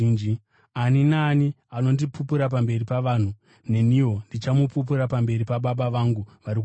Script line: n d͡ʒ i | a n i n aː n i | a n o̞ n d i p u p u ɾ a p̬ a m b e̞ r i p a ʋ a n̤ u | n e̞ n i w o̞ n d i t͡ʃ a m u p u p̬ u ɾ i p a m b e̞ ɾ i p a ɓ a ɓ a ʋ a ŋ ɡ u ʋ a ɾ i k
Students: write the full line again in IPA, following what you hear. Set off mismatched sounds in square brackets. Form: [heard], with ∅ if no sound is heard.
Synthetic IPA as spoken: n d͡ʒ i | a n i n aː n i | a n o̞ n d i p u p u ɾ a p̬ a m b e̞ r i p a ʋ a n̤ u | n e̞ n i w o̞ n d i t͡ʃ a m u p u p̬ u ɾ [a] p a m b e̞ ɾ i p a ɓ a ɓ a ʋ a ŋ ɡ u ʋ a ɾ i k

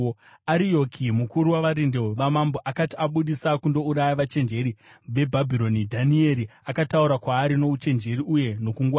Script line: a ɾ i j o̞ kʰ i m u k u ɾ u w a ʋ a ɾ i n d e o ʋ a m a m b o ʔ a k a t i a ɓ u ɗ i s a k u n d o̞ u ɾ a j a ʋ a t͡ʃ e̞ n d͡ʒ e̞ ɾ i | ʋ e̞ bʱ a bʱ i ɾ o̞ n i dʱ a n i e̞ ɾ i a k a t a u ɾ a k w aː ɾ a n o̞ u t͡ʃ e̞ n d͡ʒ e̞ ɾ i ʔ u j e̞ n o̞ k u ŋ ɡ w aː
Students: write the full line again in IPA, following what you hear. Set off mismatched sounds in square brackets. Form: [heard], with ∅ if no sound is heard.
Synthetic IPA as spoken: a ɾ i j o̞ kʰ i m u k u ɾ u w a ʋ a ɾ i n d e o ʋ a m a m b o ʔ a k a t i a ɓ u ɗ i s a k u n d o̞ u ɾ a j a ʋ a t͡ʃ e̞ n d͡ʒ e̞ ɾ i | ʋ e̞ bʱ a bʱ i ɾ o̞ n i dʱ a n i e̞ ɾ i a k a t a u ɾ a k w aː ɾ [i] n o̞ u t͡ʃ e̞ n d͡ʒ e̞ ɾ i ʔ u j e̞ n o̞ k u ŋ ɡ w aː

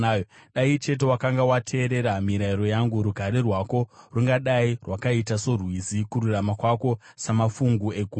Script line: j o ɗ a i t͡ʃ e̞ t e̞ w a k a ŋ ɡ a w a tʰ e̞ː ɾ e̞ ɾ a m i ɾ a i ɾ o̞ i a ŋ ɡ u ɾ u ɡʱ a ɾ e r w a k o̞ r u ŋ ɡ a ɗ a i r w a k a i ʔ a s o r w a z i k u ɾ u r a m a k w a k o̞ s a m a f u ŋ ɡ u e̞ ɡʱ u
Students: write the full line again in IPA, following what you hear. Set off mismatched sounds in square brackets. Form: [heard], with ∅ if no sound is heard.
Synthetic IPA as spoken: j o ɗ a i t͡ʃ e̞ t e̞ w a k a ŋ ɡ a w a tʰ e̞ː ɾ e̞ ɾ a m i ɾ a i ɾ o̞ [j] a ŋ ɡ u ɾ u ɡʱ a ɾ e r w a k o̞ r u ŋ ɡ a ɗ a i r w a k a i [t] a s o r w [i] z i k u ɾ u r a m a k w a k o̞ s a m a f u ŋ ɡ u e̞ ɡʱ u

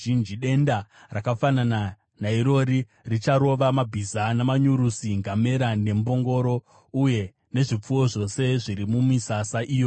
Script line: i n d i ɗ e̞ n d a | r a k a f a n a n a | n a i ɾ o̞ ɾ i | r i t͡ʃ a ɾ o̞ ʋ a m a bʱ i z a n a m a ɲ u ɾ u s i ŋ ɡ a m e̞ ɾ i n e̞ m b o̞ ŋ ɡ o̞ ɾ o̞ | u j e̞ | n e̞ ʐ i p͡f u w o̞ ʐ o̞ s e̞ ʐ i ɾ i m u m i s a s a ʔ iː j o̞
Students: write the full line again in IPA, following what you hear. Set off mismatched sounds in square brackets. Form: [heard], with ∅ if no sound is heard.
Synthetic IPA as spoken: i n [d͡ʒ] i ɗ e̞ n d a | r a k a f a n a n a | n a i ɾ o̞ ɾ i | r i t͡ʃ a ɾ o̞ ʋ a m a bʱ i z a n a m a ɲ u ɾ u s i ŋ ɡ a m e̞ ɾ [a] n e̞ m b o̞ ŋ ɡ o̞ ɾ o̞ | u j e̞ | n e̞ ʐ i p͡f u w o̞ ʐ o̞ s e̞ ʐ i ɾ i m u m i s a s a ʔ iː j o̞

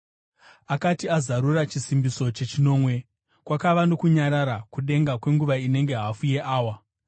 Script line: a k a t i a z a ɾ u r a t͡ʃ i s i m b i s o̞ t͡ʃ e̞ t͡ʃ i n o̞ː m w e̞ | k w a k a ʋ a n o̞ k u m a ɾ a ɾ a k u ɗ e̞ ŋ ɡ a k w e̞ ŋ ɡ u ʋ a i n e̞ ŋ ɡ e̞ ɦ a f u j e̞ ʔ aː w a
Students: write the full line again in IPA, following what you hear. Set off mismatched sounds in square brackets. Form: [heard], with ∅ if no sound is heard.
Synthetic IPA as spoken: a k a t i a z a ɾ u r a t͡ʃ i s i m b i s o̞ t͡ʃ e̞ t͡ʃ i n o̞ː m w e̞ | k w a k a ʋ a n o̞ k u [ɲ] a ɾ a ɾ a k u ɗ e̞ ŋ ɡ a k w e̞ ŋ ɡ u ʋ a i n e̞ ŋ ɡ e̞ ɦ a f u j e̞ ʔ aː w a

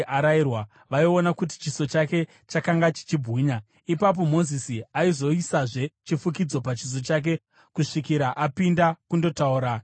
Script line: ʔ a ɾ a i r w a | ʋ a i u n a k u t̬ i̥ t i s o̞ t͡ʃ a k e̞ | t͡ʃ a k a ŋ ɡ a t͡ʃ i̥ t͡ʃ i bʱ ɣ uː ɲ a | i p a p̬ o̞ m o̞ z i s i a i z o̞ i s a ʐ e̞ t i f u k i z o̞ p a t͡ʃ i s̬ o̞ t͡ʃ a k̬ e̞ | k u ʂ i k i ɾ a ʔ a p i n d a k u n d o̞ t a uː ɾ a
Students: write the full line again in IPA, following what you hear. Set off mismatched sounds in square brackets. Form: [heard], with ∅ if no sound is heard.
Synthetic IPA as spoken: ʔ a ɾ a i r w a | ʋ a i [o] n a k u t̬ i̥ [t͡ʃ] i s o̞ t͡ʃ a k e̞ | t͡ʃ a k a ŋ ɡ a t͡ʃ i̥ t͡ʃ i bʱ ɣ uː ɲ a | i p a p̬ o̞ m o̞ z i s i a i z o̞ i s a ʐ e̞ [t͡ʃ] i f u k i [d͡z] o̞ p a t͡ʃ i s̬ o̞ t͡ʃ a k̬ e̞ | k u ʂ i k i ɾ a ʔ a p i n d a k u n d o̞ t a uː ɾ a

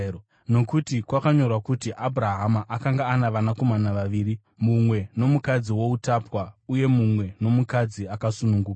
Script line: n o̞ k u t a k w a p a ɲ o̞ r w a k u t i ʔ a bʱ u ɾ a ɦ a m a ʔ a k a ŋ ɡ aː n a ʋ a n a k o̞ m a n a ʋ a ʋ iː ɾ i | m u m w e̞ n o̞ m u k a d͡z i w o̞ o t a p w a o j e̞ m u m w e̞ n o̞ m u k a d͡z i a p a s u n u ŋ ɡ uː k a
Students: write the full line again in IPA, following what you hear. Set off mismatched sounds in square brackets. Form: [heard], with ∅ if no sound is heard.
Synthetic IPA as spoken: n o̞ k u t [i] k w a [k] a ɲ o̞ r w a k u t i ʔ a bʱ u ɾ a ɦ a m a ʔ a k a ŋ ɡ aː n a ʋ a n a k o̞ m a n a ʋ a ʋ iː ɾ i | m u m w e̞ n o̞ m u k a d͡z i w o̞ [u] t a p w a [u] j e̞ m u m w e̞ n o̞ m u k a d͡z i a [k] a s u n u ŋ ɡ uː k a

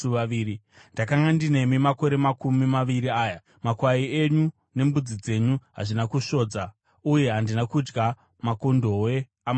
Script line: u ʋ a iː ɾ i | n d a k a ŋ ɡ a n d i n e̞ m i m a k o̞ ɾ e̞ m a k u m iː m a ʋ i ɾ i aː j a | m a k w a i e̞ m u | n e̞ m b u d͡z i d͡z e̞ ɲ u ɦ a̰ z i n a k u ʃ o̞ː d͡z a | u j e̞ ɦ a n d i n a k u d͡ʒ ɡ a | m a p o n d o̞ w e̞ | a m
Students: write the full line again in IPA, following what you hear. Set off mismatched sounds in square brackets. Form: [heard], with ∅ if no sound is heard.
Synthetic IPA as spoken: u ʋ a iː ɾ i | n d a k a ŋ ɡ a n d i n e̞ m i m a k o̞ ɾ e̞ m a k u m [i] m a ʋ i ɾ i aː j a | m a k w a i e̞ [ɲ] u | n e̞ m b u d͡z i d͡z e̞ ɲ u ɦ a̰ [ʐ] i n a k u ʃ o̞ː d͡z a | u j e̞ ɦ a n d i n a k u d͡ʒ ɡ a | m a [k] o n d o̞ w e̞ | a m

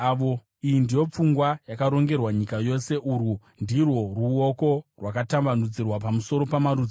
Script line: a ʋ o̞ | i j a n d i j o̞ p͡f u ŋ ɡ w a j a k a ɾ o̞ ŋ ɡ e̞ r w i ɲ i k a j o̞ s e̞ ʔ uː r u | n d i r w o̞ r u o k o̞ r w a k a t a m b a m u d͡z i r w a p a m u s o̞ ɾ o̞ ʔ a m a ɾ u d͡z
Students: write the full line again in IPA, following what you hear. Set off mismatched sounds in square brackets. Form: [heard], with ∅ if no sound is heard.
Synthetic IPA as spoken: a ʋ o̞ | i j [i] n d i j o̞ p͡f u ŋ ɡ w a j a k a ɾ o̞ ŋ ɡ e̞ r w [a] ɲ i k a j o̞ s e̞ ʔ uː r u | n d i r w o̞ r u o k o̞ r w a k a t a m b a [n] u d͡z i r w a p a m u s o̞ ɾ o̞ [p] a m a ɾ u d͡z

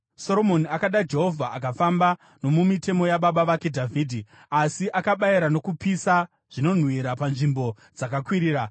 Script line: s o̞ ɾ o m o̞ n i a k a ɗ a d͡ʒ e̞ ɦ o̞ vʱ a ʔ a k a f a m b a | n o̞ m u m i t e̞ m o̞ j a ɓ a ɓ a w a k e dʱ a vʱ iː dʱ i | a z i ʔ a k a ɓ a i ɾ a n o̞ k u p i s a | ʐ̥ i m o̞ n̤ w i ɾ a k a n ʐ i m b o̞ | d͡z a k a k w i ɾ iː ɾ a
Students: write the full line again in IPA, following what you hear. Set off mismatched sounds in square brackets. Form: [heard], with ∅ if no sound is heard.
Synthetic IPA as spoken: s o̞ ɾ o m o̞ n i a k a ɗ a d͡ʒ e̞ ɦ o̞ vʱ a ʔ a k a f a m b a | n o̞ m u m i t e̞ m o̞ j a ɓ a ɓ a [ʋ] a k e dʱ a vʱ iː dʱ i | a [s] i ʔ a k a ɓ a i ɾ a n o̞ k u p i s a | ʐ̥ i [n] o̞ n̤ w i ɾ a [p] a n ʐ i m b o̞ | d͡z a k a k w i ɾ iː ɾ a

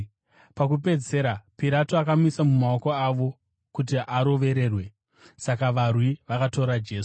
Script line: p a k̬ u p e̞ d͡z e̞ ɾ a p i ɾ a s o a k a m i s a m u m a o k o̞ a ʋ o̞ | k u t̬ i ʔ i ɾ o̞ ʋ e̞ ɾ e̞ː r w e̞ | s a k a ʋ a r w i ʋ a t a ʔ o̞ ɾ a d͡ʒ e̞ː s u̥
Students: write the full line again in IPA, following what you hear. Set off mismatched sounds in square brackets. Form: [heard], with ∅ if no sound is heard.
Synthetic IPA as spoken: p a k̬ u p e̞ d͡z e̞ ɾ a p i ɾ a [t] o a k a m i s a m u m a o k o̞ a ʋ o̞ | k u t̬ i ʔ [a] ɾ o̞ ʋ e̞ ɾ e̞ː r w e̞ | s a k a ʋ a r w i ʋ a [k] a [t] o̞ ɾ a d͡ʒ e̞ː s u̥

